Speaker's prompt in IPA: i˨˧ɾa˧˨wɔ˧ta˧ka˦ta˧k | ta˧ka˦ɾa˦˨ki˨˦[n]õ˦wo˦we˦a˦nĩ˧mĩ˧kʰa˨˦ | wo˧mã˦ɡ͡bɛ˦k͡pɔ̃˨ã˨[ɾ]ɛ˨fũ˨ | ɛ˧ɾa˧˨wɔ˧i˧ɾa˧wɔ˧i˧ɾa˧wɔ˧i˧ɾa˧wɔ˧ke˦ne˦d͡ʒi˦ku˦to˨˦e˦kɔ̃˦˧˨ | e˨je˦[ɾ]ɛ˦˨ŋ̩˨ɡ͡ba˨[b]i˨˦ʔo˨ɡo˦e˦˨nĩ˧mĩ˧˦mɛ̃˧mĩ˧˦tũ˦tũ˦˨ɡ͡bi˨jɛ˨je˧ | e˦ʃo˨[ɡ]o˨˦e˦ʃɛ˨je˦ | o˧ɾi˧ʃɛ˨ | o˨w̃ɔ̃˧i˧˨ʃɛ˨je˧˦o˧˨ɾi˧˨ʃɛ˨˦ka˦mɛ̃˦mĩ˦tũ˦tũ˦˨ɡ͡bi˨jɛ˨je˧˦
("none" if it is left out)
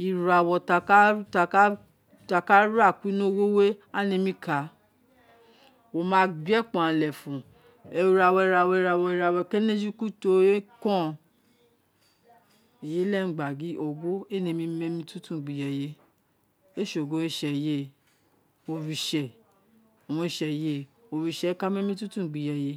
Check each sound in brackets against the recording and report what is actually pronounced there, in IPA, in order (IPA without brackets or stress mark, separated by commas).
n, l, l, ɡ, ɡ